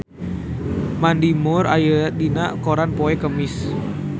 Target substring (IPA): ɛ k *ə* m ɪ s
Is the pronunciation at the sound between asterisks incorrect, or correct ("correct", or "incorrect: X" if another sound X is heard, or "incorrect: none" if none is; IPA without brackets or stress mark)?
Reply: correct